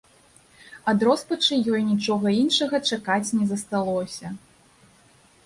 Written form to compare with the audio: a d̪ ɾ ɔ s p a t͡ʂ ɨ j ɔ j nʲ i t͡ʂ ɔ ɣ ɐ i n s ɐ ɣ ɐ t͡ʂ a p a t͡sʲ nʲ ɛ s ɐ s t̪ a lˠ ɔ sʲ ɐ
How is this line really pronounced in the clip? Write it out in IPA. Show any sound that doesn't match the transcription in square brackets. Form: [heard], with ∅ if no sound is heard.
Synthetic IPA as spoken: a d̪ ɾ ɔ s p [ɐ] t͡ʂ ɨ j ɔ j nʲ i t͡ʂ ɔ ɣ ɐ i n [ʂ] ɐ ɣ ɐ t͡ʂ a [k] a t͡sʲ nʲ ɛ [z] ɐ s t̪ a lˠ ɔ sʲ ɐ